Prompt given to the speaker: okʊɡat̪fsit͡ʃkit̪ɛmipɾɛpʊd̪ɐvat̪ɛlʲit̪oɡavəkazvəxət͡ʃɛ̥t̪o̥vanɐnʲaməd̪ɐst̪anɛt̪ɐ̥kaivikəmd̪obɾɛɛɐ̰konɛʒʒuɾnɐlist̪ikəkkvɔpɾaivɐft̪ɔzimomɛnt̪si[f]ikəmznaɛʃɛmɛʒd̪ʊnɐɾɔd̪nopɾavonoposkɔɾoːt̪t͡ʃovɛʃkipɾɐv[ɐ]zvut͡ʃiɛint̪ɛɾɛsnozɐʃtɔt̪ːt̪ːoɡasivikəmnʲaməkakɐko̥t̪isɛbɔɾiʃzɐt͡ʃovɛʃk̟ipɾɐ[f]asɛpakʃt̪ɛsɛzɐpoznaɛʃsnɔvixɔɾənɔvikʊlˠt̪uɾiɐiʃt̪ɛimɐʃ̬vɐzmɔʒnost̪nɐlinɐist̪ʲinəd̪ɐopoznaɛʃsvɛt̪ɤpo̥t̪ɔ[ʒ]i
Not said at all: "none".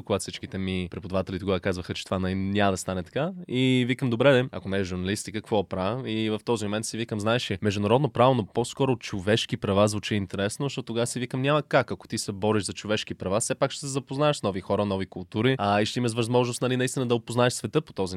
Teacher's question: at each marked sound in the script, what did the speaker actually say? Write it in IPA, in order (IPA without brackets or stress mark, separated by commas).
v, a, v, z